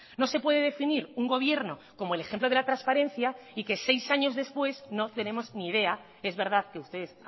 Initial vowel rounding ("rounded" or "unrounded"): rounded